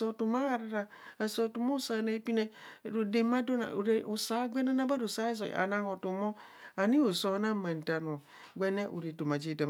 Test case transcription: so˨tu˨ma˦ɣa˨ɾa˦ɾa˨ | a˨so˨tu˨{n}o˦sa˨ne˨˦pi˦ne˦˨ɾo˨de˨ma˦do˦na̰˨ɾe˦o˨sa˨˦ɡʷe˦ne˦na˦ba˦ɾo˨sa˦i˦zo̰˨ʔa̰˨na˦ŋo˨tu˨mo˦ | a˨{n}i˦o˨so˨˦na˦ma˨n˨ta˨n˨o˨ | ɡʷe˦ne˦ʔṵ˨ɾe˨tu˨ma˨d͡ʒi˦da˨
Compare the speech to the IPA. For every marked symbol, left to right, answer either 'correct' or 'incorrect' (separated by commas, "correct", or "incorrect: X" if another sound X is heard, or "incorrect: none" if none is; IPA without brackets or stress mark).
incorrect: m, correct